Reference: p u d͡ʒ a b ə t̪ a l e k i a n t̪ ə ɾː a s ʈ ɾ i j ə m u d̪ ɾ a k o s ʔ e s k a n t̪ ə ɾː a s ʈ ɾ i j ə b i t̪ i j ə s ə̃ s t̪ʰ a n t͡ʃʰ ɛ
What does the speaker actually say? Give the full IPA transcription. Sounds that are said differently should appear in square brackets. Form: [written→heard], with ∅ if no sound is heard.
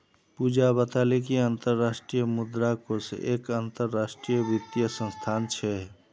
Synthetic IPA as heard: p u d͡ʒ a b ə t̪ a l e k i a n t̪ ə ɾː a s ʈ ɾ i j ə m u d̪ ɾ a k o s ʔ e [s→∅] k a n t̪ ə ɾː a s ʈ ɾ i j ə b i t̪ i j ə s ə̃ s t̪ʰ a n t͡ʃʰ ɛ